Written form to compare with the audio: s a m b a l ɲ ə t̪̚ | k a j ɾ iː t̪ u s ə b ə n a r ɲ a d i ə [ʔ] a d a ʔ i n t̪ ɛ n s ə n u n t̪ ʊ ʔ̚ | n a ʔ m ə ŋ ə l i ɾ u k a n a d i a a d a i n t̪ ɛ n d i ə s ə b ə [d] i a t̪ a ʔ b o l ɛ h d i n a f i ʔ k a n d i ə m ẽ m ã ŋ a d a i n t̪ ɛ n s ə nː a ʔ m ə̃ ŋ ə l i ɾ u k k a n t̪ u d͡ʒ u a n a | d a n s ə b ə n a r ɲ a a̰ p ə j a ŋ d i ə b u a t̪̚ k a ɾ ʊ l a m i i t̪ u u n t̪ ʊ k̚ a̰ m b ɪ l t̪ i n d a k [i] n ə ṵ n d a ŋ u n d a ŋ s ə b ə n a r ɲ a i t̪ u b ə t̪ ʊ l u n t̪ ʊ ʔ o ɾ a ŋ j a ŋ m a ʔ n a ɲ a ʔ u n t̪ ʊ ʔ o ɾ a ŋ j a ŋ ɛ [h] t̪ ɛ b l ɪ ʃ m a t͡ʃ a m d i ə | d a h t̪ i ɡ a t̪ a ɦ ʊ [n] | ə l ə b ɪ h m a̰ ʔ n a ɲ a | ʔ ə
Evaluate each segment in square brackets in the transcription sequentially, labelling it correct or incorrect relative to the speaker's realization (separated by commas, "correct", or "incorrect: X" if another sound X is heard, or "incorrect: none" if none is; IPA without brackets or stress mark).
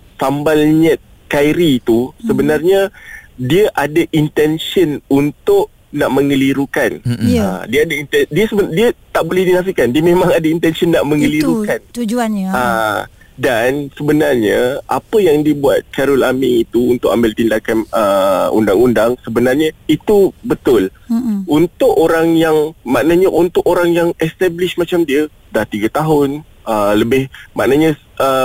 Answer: correct, correct, incorrect: a, incorrect: s, correct